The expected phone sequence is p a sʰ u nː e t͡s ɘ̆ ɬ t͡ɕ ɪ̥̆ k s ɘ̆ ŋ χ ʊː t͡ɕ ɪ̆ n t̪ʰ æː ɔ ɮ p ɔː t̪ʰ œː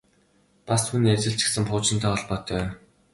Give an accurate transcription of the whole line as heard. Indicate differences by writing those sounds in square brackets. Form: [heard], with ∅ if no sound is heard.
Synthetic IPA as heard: p a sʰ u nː e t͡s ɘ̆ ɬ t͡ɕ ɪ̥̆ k s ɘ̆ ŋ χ ʊː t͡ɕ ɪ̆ n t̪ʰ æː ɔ ɮ p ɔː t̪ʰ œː